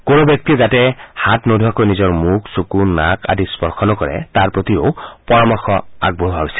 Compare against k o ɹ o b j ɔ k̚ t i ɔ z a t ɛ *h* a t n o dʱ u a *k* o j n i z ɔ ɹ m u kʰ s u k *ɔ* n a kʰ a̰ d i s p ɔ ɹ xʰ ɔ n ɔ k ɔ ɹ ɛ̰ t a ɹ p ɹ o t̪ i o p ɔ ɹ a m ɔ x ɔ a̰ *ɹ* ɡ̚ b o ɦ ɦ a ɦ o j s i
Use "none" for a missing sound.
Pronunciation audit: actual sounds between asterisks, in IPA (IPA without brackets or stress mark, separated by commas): h, k, u, none